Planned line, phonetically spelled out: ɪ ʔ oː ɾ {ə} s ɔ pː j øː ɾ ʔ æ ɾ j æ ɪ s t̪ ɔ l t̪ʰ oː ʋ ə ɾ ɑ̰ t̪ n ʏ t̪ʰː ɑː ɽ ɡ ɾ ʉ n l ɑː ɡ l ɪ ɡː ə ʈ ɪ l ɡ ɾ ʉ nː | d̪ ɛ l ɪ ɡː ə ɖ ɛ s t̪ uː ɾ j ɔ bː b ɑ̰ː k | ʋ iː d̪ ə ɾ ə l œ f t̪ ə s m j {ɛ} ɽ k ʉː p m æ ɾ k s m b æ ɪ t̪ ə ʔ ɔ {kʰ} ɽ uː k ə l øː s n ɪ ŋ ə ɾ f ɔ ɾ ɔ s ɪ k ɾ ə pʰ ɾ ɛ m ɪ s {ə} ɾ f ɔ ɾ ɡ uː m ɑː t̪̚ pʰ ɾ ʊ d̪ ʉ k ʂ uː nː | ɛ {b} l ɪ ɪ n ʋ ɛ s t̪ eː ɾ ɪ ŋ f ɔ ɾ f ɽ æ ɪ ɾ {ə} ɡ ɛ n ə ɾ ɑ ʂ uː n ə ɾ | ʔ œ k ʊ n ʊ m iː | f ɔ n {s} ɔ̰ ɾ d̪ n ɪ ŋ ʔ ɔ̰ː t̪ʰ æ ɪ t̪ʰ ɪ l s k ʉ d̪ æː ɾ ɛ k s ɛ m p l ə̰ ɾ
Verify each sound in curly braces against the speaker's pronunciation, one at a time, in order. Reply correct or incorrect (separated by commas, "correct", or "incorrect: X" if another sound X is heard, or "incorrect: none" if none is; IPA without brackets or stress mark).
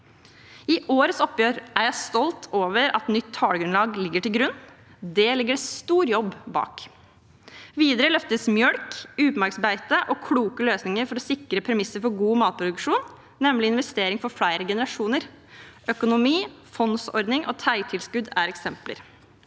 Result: correct, incorrect: œ, correct, correct, incorrect: m, correct, correct